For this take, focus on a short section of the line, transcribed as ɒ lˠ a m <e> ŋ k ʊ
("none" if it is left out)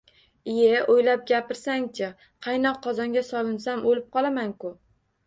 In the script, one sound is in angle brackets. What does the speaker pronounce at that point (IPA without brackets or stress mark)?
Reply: a